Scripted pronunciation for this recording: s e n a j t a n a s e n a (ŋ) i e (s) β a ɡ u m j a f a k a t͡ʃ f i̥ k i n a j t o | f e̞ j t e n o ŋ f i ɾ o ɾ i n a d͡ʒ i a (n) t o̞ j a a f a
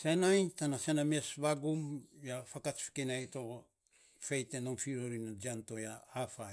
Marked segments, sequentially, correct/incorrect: incorrect, correct, correct

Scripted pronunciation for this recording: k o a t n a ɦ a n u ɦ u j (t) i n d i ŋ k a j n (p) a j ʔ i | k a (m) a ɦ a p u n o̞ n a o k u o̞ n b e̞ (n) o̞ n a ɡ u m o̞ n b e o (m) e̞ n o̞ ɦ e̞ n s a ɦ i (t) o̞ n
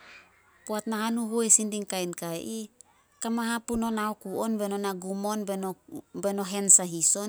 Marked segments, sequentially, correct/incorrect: incorrect, incorrect, correct, correct, incorrect, incorrect

